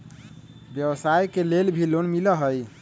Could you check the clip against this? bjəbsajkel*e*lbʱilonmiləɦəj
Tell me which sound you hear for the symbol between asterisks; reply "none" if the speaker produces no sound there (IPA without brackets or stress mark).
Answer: e